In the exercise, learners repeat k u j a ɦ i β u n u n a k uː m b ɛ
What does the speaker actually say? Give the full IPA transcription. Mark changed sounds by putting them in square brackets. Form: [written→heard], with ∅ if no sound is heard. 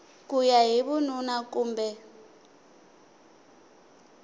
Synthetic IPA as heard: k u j a ɦ i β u n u n a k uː m b ɛ